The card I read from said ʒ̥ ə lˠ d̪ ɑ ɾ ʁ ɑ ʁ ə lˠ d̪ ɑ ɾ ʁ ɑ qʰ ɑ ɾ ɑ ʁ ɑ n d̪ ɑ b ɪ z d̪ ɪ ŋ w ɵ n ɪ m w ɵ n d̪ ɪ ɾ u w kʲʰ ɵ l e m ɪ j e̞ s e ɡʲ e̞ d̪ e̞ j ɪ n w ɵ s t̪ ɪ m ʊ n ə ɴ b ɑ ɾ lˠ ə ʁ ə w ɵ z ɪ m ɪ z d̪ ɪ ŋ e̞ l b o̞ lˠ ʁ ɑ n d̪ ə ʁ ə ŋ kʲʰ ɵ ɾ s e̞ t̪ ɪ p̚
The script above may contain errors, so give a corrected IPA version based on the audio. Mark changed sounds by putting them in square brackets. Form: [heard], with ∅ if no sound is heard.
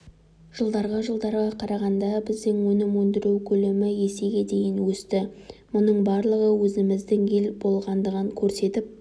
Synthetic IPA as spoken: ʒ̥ ə lˠ d̪ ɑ ɾ ʁ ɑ [ʒ] ə lˠ d̪ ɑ ɾ ʁ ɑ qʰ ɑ ɾ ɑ ʁ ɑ n d̪ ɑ b ɪ z d̪ ɪ ŋ w ɵ n ɪ m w ɵ n d̪ ɪ ɾ u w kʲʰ ɵ l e m ɪ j e̞ s e ɡʲ e̞ d̪ e̞ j ɪ n w ɵ s t̪ ɪ m ʊ n ə ɴ b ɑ ɾ lˠ ə ʁ ə w ɵ z ɪ m ɪ z d̪ ɪ ŋ e̞ l b o̞ lˠ ʁ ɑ n d̪ ə ʁ ə ŋ kʲʰ ɵ ɾ s e̞ t̪ ɪ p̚